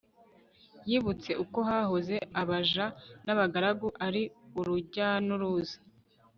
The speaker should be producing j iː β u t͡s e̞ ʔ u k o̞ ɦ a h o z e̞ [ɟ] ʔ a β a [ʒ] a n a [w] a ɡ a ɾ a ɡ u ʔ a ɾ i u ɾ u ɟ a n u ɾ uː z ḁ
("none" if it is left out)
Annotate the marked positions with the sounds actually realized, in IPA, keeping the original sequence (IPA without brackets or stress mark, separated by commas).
none, ʒ, β